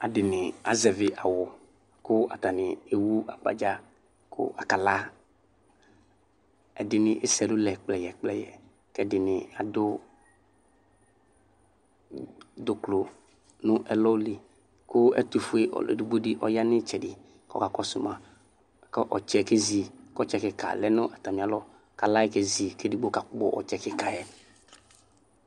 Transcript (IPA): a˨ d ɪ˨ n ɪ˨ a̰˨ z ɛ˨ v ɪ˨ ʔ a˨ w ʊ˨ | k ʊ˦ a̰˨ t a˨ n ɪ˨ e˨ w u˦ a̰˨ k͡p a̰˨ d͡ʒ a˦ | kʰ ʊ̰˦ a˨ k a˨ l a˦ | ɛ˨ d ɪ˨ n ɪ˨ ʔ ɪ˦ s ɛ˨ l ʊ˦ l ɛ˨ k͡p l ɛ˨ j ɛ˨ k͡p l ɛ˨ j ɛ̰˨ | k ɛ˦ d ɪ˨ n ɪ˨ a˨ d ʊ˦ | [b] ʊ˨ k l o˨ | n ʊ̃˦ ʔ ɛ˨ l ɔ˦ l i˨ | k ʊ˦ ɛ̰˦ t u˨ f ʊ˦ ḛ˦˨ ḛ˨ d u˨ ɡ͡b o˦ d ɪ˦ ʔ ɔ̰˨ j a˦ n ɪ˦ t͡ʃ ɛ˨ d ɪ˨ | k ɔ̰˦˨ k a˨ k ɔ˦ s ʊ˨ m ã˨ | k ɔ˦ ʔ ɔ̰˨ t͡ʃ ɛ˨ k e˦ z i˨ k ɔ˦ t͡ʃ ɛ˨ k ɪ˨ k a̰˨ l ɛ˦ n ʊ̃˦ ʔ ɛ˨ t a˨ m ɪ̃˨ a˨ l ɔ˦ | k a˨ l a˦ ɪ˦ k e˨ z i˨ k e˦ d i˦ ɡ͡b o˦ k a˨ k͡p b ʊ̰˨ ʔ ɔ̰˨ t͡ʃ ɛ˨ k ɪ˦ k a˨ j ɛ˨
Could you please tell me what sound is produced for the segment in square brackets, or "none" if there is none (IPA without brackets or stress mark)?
d